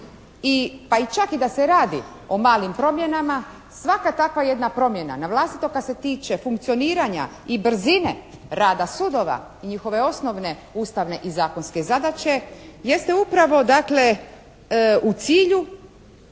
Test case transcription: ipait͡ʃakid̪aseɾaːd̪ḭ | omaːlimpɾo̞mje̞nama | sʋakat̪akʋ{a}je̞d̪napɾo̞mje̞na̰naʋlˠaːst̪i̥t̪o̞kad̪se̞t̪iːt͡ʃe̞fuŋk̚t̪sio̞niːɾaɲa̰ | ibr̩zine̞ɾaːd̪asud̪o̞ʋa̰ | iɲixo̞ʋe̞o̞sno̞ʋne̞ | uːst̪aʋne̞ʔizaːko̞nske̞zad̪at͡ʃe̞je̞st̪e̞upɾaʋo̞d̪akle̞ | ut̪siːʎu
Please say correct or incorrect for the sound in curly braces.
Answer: correct